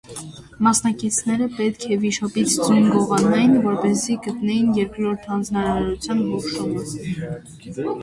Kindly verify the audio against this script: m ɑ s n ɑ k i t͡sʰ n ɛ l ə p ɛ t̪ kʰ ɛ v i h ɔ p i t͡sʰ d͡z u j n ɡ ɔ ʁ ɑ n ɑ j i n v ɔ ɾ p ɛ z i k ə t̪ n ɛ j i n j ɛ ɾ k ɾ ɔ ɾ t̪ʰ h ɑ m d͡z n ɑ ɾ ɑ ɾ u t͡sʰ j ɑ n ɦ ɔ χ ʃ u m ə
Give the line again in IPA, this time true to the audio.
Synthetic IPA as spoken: m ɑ s n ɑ k i t͡sʰ n ɛ ɾ ə p ɛ t̪ kʰ ɛ v i ʃ ɔ p i t͡sʰ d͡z u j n ɡ ɔ ʁ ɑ n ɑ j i n v ɔ ɾ p ɛ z i ɡ ə t̪ n ɛ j i n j ɛ ɾ k ɾ ɔ ɾ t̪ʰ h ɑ n d͡z n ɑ ɾ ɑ ɾ u t͡sʰ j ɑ n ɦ ɔ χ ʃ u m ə